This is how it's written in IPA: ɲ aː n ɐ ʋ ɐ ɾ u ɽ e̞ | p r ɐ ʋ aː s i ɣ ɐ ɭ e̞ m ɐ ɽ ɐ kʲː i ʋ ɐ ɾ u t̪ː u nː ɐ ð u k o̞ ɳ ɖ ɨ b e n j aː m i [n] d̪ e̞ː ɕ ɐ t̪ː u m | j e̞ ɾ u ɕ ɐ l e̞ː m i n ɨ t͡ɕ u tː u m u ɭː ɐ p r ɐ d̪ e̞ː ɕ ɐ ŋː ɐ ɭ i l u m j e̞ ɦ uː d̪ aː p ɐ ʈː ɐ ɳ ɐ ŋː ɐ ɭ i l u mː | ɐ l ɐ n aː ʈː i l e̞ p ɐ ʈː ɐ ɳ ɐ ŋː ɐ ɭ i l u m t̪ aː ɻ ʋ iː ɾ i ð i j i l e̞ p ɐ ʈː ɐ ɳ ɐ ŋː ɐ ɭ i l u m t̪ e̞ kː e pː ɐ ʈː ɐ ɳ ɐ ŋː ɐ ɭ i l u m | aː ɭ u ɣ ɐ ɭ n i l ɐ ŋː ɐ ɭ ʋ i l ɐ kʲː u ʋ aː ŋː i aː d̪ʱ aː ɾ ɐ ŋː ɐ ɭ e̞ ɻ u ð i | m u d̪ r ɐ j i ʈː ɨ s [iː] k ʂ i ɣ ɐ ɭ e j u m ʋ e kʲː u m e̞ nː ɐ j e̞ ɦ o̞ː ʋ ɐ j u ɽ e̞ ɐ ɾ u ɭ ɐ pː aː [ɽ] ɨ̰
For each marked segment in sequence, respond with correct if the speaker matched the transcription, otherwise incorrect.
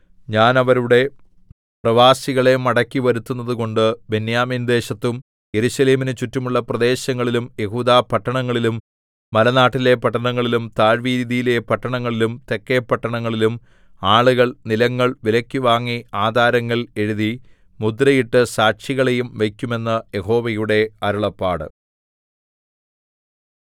correct, incorrect: aː, correct

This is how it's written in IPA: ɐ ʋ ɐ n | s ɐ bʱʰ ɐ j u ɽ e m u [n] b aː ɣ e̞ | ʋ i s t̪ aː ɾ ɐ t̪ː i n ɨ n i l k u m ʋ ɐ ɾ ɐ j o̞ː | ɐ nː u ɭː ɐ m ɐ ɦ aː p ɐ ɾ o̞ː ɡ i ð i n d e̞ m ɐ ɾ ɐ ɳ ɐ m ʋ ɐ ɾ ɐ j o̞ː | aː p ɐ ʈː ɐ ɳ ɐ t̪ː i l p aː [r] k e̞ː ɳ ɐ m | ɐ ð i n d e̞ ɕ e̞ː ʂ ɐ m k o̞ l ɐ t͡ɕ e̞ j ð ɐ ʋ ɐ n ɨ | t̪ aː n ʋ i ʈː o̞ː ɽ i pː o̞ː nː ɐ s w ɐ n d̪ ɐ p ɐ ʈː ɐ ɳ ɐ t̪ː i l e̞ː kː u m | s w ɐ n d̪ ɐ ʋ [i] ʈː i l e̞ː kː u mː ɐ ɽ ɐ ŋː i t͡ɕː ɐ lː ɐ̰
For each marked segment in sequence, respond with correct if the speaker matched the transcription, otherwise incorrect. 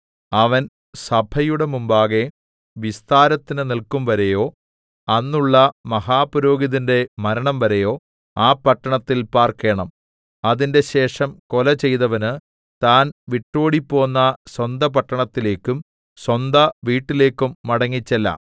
incorrect: m, correct, incorrect: iː

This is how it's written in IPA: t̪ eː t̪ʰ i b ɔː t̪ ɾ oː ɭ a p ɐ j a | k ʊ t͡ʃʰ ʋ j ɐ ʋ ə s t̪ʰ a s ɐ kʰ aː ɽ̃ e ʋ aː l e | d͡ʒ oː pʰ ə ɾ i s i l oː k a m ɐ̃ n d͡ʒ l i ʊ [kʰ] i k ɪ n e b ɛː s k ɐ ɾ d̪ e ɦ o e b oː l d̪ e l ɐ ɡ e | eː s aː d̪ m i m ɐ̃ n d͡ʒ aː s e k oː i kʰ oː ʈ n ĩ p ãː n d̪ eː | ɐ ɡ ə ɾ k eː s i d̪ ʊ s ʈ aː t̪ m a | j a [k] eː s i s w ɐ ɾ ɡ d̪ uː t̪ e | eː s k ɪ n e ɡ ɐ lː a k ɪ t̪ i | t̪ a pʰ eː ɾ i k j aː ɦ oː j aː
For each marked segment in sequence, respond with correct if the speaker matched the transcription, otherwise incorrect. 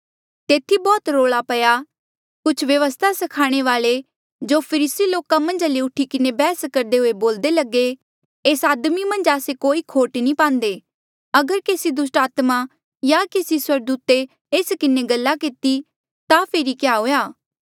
incorrect: ʈʰ, correct

